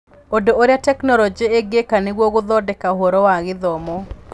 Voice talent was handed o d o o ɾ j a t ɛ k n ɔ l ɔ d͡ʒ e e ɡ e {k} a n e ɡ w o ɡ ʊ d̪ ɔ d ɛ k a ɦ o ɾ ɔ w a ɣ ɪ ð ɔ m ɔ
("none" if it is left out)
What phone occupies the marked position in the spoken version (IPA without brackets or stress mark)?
k